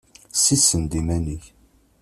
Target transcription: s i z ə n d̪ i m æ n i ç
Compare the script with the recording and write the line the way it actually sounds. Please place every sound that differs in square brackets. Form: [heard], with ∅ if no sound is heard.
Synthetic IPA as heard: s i [s] ə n d̪ i m æ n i ç